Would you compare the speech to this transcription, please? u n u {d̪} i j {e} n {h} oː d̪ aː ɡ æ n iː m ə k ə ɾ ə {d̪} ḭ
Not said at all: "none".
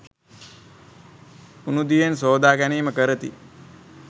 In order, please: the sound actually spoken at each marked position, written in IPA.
d̪, e, s, t̪

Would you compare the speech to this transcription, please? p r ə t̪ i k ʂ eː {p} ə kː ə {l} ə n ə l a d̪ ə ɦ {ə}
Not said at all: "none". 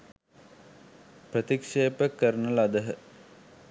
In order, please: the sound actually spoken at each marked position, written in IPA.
p, ɾ, ə

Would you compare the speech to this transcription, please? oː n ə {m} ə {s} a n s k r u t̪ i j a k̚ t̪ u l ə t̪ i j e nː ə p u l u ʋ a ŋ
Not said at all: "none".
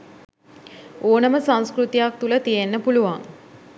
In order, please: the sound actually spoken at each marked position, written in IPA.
m, s

